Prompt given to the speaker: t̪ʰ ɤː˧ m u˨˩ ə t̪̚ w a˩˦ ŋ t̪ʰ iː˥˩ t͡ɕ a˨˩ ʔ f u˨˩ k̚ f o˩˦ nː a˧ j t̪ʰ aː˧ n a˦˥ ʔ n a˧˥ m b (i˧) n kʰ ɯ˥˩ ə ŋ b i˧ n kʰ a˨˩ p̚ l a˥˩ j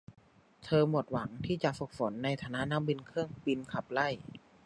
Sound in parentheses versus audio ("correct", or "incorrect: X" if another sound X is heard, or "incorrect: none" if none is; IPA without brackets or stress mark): correct